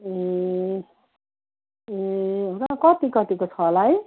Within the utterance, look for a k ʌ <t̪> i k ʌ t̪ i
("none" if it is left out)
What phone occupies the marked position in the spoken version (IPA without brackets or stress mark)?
t̪